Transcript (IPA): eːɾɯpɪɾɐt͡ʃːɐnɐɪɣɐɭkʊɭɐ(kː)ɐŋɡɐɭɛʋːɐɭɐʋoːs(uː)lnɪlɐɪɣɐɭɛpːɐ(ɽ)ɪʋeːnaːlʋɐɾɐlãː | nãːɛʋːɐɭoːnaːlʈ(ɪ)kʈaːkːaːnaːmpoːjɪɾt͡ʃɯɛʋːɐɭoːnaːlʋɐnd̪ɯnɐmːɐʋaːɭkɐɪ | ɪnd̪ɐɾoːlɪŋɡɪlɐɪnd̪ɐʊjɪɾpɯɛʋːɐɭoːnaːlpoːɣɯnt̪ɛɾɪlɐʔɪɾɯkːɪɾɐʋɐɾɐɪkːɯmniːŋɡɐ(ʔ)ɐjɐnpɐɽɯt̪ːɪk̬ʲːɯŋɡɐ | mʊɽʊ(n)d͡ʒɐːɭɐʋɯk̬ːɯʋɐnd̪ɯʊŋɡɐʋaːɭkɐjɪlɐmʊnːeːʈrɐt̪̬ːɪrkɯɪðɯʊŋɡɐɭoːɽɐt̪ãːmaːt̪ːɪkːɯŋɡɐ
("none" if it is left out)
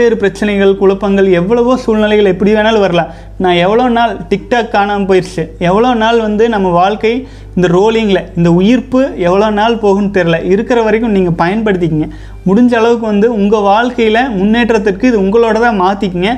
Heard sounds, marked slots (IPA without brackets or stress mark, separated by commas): pː, uː, ɽ, ɪ, p, ɲ